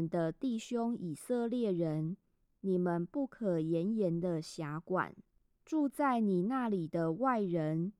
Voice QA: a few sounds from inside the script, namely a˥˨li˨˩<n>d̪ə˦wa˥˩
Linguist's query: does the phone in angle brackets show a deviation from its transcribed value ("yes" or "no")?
yes